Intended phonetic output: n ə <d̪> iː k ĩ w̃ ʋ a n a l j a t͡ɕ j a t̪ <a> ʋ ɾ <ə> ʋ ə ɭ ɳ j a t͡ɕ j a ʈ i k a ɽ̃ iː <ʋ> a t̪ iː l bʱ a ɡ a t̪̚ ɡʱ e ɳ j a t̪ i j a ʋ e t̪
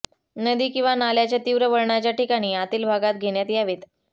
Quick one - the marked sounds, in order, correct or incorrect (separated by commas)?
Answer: correct, incorrect, correct, incorrect